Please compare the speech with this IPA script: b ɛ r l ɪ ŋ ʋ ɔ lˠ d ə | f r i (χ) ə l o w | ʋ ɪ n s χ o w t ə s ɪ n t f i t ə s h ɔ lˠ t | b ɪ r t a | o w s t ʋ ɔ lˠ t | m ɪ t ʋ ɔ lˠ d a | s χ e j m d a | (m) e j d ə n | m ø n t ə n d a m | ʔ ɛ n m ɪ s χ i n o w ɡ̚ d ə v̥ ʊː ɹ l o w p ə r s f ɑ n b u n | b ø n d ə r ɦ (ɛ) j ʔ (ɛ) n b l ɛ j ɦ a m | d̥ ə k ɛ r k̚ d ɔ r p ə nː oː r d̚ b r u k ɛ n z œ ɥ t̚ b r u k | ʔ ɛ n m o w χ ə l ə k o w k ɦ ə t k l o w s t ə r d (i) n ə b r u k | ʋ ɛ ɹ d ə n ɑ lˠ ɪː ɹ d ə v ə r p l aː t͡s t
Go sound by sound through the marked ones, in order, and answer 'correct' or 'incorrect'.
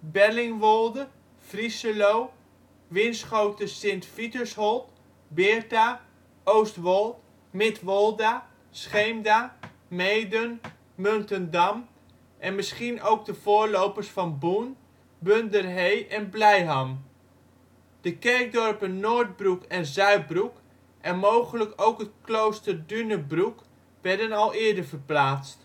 incorrect, correct, incorrect, correct, incorrect

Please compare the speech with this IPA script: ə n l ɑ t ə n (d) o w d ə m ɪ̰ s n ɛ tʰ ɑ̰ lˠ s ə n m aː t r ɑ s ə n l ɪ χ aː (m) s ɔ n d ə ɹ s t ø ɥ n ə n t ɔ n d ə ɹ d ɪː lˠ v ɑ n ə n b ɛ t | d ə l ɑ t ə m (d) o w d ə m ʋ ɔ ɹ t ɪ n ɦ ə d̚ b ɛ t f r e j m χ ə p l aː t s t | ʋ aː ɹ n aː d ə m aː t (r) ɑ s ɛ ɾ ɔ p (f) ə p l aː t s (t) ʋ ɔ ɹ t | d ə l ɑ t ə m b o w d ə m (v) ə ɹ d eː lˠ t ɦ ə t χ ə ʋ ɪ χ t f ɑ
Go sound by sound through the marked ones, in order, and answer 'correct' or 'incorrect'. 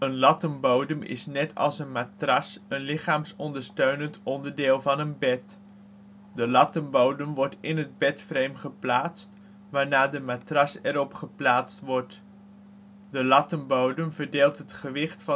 incorrect, correct, incorrect, correct, incorrect, correct, correct

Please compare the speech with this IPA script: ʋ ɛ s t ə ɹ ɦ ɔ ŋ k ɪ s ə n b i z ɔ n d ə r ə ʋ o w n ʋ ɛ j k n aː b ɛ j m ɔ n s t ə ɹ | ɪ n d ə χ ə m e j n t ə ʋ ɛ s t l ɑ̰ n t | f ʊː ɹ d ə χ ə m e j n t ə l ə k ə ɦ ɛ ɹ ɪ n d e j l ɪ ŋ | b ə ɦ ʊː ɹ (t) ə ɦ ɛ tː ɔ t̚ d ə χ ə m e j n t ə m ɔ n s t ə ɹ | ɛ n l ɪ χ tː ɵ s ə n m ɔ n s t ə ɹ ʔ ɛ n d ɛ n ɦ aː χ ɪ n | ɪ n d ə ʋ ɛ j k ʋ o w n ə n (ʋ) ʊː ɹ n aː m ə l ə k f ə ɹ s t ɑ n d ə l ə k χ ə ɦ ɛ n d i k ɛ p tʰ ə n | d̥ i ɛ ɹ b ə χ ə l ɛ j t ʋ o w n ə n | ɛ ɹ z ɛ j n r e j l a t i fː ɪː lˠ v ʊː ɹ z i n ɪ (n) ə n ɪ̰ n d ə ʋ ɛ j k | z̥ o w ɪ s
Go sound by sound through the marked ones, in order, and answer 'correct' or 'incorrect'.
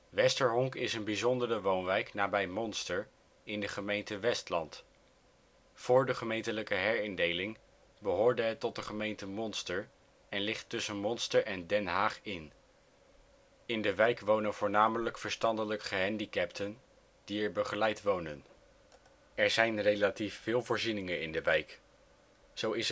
incorrect, incorrect, incorrect

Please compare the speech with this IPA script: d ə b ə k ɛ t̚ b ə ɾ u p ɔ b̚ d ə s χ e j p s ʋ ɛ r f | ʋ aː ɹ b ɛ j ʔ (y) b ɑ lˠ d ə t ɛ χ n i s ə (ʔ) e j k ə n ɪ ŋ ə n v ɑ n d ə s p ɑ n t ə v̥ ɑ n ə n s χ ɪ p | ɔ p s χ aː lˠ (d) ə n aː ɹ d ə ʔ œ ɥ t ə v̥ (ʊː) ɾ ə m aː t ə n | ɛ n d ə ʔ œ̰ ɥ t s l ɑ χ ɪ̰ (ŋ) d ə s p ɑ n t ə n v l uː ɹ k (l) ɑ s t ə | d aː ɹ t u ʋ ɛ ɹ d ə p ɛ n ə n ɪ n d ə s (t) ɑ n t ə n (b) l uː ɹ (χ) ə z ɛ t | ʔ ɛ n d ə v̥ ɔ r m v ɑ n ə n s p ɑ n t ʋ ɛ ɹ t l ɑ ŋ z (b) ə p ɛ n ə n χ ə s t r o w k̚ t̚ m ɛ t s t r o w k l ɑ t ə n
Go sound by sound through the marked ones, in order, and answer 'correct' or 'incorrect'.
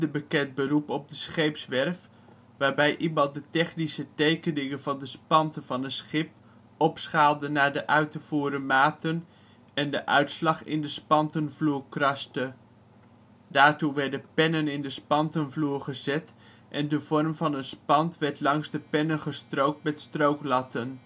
incorrect, incorrect, correct, incorrect, incorrect, incorrect, incorrect, incorrect, correct, incorrect

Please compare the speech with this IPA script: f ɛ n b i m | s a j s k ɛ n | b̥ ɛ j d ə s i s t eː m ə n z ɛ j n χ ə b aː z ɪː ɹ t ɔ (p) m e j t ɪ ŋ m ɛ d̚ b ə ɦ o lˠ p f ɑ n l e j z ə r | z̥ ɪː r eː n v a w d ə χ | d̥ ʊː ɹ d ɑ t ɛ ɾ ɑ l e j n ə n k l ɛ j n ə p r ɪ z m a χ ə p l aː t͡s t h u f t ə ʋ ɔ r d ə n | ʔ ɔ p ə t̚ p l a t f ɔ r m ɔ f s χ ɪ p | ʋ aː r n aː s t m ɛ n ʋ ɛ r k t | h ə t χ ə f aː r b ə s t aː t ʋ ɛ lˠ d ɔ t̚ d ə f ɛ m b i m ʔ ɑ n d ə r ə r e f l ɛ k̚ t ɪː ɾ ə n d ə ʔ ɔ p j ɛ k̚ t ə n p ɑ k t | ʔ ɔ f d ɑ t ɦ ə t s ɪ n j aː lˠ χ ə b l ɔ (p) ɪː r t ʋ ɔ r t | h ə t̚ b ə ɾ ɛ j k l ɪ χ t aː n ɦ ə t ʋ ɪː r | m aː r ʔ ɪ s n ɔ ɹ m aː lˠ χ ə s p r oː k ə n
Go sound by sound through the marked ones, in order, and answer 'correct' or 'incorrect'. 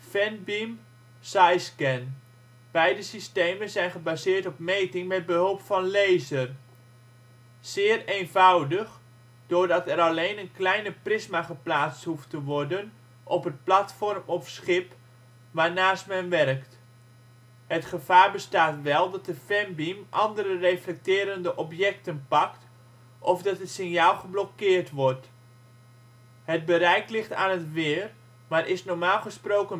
correct, incorrect

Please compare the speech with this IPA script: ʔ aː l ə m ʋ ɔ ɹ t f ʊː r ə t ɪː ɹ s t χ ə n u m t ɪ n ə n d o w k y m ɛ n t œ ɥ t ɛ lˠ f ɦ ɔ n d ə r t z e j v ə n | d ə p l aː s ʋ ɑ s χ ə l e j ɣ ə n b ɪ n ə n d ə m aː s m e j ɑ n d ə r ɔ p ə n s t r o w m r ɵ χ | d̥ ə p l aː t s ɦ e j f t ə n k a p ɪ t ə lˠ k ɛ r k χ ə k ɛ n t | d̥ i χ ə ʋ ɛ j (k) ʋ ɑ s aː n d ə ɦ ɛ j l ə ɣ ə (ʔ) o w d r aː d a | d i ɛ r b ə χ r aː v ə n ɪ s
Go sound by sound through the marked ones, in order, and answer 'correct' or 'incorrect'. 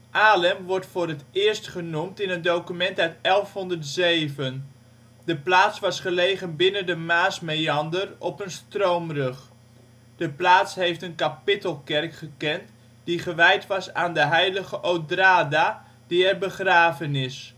incorrect, correct

